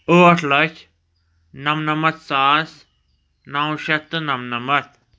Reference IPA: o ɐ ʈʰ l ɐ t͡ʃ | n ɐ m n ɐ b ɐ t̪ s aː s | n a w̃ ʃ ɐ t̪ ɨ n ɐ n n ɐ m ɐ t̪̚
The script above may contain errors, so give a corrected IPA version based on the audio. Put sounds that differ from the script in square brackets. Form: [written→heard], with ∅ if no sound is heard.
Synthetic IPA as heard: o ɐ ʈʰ l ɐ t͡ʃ | n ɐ m n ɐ [b→m] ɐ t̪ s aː s | n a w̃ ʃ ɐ t̪ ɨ n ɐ [n→m] n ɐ m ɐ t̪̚